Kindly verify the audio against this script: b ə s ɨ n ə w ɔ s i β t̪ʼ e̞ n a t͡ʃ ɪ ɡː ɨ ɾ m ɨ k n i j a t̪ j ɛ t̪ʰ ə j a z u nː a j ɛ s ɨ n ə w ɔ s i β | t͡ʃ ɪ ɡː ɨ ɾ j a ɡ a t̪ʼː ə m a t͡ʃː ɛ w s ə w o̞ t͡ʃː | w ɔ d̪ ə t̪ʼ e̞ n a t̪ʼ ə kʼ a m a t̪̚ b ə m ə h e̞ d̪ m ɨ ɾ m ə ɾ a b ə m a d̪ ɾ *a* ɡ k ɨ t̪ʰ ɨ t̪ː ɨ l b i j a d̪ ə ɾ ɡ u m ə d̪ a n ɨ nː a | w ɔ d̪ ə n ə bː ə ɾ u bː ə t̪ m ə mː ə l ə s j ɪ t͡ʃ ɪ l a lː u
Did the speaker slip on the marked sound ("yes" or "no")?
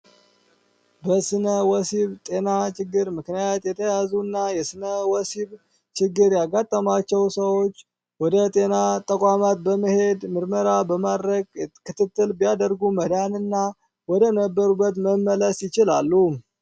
yes